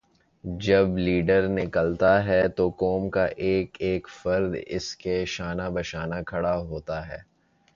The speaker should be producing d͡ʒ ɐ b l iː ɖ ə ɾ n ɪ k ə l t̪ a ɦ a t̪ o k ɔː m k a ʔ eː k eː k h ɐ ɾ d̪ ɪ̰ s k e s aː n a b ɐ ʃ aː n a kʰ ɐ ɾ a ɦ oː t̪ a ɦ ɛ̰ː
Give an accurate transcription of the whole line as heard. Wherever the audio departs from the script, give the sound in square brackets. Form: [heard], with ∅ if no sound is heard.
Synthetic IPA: d͡ʒ ɐ b l iː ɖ ə ɾ n ɪ k ə l t̪ a ɦ [ɛ] t̪ o k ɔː m k a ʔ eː k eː k [f] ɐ ɾ d̪ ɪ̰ s k e [ʃ] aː n a b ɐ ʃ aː n a kʰ ɐ [ɽ] a ɦ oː t̪ a ɦ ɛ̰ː

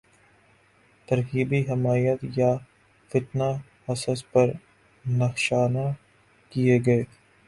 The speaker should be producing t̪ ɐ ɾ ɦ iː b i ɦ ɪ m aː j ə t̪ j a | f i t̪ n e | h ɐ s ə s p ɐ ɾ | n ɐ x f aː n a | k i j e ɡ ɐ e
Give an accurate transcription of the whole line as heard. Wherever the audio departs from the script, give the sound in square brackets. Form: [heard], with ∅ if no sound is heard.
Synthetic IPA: t̪ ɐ ɾ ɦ iː b i ɦ ɪ m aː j ə t̪ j a | f [ɪ] t̪ n [a] | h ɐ s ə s p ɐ ɾ | n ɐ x [ʃ] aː n a | k i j e ɡ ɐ e

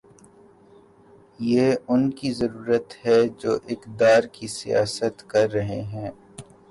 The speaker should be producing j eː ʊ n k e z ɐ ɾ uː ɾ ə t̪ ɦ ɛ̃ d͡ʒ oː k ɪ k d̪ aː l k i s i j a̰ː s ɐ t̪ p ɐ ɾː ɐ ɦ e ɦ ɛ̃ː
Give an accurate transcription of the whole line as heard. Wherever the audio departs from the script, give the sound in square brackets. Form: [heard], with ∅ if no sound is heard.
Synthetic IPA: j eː ʊ n k [i] z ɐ ɾ uː ɾ ə t̪ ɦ [ɛ] d͡ʒ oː [ʔ] ɪ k d̪ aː [ɾ] k i s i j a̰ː s [ə] t̪ [k] ɐ ɾː ɐ ɦ e ɦ ɛ̃ː

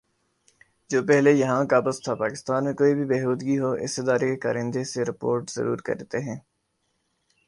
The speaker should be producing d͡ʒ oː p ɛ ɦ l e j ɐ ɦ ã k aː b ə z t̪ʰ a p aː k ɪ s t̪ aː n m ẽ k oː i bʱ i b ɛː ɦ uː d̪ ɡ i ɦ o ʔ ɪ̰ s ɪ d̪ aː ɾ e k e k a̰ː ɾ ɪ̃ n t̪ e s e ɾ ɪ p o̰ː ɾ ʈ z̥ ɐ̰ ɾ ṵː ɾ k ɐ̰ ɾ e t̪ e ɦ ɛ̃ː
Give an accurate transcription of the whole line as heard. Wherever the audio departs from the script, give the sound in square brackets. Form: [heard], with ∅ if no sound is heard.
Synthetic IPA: d͡ʒ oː p ɛ ɦ l e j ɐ ɦ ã k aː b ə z t̪ʰ a p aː k ɪ s t̪ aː n m ẽ k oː i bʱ i b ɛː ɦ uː d̪ ɡ i ɦ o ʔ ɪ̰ s ɪ d̪ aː ɾ e k e k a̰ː ɾ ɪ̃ n [d̪] e s e ɾ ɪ p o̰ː ɾ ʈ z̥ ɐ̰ ɾ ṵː ɾ k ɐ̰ ɾ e t̪ e ɦ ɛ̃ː

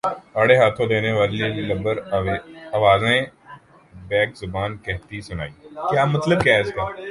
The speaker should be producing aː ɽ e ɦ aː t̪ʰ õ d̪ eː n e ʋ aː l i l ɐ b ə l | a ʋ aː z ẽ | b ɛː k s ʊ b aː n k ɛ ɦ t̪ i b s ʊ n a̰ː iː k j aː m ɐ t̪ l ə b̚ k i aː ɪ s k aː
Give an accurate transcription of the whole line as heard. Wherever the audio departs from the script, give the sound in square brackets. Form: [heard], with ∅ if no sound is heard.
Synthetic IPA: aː ɽ e ɦ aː t̪ʰ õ d̪ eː n e ʋ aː l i l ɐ b ə [ɾ] | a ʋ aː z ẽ | b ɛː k [z] ʊ b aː n k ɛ ɦ t̪ i [∅] s ʊ n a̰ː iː k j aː m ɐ t̪ l ə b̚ k [j] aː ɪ s k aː

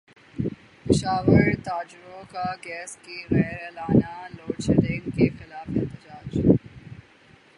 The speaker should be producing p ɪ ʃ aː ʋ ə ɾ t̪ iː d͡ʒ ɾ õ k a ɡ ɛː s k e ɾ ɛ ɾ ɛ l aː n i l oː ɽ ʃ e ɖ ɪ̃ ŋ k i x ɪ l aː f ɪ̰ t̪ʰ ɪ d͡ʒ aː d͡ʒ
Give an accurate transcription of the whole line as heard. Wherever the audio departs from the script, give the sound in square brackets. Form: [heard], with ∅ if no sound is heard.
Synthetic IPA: p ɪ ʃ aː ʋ ə ɾ t̪ [aː] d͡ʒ ɾ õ k a ɡ ɛː s k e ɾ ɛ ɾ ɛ l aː n [a] l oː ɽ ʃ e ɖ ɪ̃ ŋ k [e] x ɪ l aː f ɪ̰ [t̪] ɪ d͡ʒ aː d͡ʒ

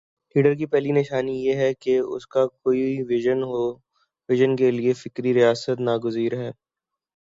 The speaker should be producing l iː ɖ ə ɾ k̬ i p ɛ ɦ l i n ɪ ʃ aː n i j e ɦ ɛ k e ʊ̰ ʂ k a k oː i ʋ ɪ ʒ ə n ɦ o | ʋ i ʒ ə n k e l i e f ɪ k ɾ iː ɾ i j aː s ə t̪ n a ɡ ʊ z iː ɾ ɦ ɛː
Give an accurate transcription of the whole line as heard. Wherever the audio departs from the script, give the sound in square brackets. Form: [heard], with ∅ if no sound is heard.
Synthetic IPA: l iː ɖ ə ɾ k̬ i p ɛ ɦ l i n ɪ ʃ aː n i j e ɦ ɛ k e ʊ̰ [s] k a k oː i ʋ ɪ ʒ ə n ɦ o | ʋ [ɪ] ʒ ə n k e l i e f ɪ k ɾ [i] ɾ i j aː s ə t̪ n a ɡ ʊ z iː ɾ ɦ ɛː

